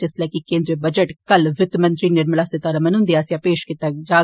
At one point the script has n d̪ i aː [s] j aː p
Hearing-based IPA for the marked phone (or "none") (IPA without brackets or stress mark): s